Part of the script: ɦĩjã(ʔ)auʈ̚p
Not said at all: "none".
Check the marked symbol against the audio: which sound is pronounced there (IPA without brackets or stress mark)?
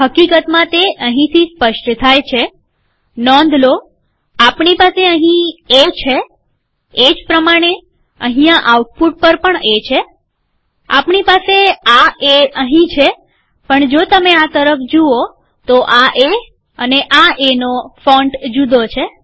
ʔ